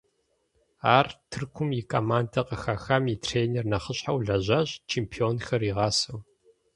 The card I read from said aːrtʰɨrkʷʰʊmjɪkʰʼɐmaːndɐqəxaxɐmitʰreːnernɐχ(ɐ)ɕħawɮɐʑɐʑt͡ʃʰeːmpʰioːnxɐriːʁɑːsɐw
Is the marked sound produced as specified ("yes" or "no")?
no